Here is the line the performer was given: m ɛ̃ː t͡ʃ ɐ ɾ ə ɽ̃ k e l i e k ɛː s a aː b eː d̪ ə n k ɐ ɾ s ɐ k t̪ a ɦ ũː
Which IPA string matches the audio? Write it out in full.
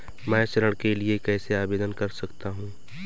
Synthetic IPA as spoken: m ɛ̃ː t͡ʃ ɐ ɾ ə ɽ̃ k e l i e k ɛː s e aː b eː d̪ ə n k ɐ ɾ s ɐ k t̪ a ɦ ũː